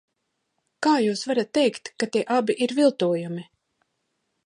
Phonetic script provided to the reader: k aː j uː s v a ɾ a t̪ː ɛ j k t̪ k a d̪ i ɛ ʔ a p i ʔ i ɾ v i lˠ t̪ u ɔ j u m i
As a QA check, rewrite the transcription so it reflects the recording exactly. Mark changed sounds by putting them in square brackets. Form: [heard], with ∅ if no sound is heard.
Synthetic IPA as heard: k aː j uː s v a ɾ a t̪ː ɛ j k t̪ k a [t̪] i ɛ ʔ a [b] i ʔ i ɾ v i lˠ t̪ u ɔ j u m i